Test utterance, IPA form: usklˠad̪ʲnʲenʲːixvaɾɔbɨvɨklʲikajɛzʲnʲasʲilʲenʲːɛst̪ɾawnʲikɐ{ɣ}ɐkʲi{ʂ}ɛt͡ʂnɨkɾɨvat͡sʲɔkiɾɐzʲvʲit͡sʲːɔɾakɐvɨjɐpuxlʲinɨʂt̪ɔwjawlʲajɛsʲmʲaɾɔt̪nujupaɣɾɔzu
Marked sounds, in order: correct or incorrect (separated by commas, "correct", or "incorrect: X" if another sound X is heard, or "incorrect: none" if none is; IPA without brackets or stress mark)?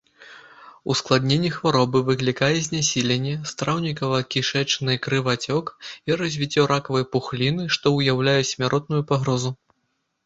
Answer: incorrect: v, correct